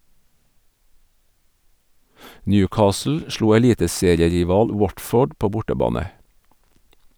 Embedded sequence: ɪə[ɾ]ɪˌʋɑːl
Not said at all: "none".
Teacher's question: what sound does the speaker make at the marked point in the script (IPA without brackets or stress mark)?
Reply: ɾ